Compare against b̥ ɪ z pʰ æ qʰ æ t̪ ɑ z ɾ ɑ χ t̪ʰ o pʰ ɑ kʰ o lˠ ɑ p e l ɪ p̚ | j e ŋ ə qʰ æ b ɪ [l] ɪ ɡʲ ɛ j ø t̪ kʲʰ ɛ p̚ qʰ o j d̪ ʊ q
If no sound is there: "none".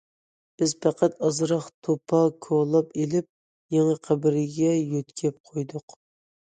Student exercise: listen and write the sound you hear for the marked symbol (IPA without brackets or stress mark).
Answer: ɾ